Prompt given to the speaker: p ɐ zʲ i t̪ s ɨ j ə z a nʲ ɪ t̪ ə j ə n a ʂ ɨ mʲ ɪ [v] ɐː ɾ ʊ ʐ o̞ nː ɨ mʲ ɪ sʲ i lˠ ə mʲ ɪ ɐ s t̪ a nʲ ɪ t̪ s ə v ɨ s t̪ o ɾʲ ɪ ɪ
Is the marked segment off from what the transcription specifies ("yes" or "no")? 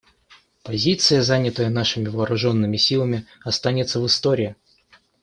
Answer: no